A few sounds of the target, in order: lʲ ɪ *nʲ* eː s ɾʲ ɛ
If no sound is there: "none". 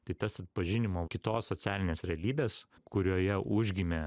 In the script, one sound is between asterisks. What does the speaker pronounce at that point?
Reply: nʲ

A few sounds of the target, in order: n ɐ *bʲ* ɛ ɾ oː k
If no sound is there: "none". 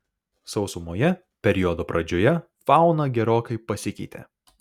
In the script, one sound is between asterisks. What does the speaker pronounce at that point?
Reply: ɡʲ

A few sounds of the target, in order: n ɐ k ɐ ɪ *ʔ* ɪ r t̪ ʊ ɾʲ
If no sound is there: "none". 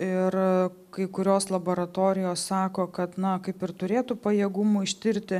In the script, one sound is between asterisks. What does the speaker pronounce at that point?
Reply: p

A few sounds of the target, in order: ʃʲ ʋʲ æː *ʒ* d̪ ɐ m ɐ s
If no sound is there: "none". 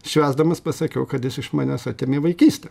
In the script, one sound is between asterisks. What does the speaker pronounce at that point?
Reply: z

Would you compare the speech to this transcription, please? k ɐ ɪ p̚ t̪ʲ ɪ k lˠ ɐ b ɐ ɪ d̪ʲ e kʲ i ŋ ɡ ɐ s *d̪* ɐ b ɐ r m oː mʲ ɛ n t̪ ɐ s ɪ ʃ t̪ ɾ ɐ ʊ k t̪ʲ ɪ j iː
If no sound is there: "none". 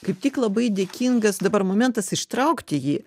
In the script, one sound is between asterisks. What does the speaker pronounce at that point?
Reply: d̪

